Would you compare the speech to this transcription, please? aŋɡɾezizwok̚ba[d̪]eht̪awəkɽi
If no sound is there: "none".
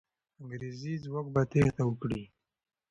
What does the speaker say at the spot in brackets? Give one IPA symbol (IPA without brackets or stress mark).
t̪